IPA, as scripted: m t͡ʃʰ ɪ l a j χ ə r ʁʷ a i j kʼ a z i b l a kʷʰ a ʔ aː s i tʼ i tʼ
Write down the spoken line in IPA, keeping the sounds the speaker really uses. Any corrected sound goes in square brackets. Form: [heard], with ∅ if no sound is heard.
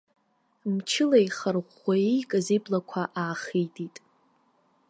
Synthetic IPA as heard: m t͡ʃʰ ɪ l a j χ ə r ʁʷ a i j kʼ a z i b l a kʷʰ a ʔ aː [χ] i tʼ i tʼ